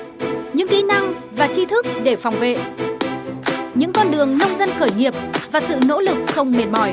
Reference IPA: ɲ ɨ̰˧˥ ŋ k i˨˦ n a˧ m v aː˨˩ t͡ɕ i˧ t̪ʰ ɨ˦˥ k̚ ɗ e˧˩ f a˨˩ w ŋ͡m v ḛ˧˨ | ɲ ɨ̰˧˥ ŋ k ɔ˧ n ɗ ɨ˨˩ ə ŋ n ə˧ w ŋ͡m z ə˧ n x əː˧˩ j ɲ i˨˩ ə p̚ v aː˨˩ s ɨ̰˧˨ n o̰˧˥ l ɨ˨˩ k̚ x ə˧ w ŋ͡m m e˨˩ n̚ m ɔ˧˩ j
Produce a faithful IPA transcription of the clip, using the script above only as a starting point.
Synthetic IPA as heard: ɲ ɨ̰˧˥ ŋ k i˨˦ n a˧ ŋ v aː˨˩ t͡ɕ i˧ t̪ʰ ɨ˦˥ k̚ ɗ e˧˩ f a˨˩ w ŋ͡m v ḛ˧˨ | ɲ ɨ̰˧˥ ŋ k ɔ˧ n ɗ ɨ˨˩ ə ŋ n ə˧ w ŋ͡m z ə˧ n x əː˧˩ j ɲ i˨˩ ə p̚ v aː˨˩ s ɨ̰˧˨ n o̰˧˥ l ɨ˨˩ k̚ x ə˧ w ŋ͡m m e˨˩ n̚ m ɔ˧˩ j